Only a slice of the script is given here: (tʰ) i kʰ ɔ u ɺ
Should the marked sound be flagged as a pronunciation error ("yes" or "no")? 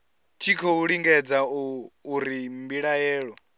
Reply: no